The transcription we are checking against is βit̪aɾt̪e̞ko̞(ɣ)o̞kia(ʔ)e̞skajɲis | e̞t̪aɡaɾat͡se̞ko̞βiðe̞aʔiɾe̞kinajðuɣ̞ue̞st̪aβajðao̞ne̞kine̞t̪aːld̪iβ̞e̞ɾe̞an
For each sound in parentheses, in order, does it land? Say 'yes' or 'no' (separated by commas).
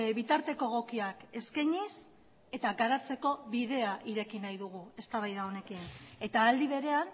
yes, no